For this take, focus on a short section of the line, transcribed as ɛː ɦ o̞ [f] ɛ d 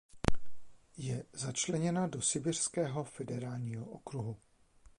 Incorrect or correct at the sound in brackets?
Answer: correct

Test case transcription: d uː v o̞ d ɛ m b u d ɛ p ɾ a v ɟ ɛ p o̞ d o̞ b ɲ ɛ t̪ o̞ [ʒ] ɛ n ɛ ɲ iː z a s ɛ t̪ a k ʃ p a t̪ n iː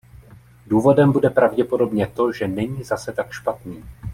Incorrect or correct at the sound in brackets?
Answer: correct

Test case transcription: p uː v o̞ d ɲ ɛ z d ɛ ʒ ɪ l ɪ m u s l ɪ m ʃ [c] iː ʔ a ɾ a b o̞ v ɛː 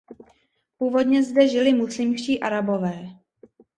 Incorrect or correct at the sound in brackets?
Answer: correct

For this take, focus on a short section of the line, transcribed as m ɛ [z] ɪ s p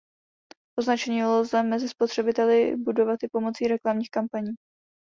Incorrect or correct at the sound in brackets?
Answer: correct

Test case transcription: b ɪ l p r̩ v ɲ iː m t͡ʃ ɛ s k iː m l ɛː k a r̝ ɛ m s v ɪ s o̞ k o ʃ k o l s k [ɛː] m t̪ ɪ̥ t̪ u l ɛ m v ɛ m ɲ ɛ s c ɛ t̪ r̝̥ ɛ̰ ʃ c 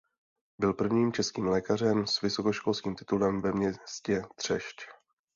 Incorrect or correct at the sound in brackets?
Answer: incorrect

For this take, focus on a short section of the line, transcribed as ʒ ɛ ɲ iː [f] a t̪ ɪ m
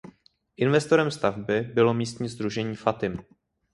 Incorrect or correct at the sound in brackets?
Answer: correct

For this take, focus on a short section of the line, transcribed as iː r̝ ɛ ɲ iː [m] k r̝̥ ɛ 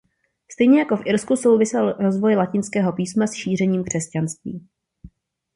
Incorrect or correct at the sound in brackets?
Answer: correct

